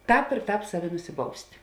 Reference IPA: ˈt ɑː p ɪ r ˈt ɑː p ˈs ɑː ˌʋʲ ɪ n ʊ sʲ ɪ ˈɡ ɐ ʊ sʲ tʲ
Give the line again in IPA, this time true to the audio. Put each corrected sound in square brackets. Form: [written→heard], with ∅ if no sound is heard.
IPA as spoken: ˈt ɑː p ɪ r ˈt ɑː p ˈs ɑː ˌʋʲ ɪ n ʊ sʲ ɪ [ˈɡ→ˈb] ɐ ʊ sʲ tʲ